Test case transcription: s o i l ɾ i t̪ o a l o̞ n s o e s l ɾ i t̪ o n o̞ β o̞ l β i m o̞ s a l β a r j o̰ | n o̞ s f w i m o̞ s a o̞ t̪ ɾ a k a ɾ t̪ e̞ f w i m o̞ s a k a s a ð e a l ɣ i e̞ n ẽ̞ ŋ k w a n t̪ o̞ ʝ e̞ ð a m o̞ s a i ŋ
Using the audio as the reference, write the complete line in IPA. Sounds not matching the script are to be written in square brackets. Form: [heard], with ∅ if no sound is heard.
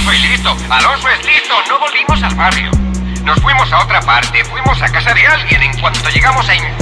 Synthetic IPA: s o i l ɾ i t̪ o a l o̞ n s o e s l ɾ i t̪ o n o̞ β o̞ l β i m o̞ s a l β a r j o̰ | n o̞ s f w i m o̞ s a o̞ t̪ ɾ a [p] a ɾ t̪ e̞ f w i m o̞ s a k a s a ð e a l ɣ [j] e̞ n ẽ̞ ŋ k w a n t̪ o̞ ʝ e̞ [ɣ] a m o̞ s a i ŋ